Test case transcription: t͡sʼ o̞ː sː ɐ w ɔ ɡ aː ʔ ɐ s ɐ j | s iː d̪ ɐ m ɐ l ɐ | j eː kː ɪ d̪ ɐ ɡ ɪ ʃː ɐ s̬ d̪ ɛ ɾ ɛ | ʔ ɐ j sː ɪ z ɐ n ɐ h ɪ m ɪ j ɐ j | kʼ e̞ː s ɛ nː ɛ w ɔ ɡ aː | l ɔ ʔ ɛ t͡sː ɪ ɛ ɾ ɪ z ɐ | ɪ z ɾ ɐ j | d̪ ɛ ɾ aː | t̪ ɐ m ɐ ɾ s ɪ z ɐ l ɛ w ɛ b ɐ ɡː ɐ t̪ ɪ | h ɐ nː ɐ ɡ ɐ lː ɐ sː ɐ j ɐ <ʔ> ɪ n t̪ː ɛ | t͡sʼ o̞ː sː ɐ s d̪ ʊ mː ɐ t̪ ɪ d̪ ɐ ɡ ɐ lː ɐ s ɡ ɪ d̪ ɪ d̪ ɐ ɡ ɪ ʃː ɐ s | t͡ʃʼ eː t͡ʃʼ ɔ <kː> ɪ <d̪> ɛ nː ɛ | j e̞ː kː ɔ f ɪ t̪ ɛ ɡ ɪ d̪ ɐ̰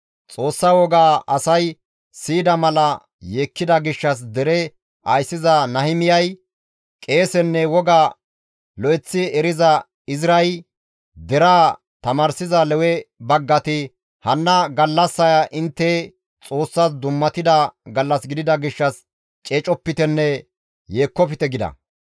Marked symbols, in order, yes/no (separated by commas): yes, no, no